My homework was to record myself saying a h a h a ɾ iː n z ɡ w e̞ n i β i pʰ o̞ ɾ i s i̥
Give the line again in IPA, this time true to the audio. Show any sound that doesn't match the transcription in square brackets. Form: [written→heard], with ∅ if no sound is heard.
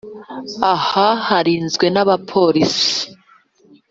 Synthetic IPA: a h a h a ɾ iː n z ɡ w e̞ n [i→a] β [i→a] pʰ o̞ ɾ i s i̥